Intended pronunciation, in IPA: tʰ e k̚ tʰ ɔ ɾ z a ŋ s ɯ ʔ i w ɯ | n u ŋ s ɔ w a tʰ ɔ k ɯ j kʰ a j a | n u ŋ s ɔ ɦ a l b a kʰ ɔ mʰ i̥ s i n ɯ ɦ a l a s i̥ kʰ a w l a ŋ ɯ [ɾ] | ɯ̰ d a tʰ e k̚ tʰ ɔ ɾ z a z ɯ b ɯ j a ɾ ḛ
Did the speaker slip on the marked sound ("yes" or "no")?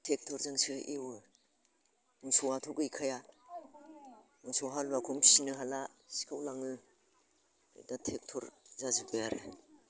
yes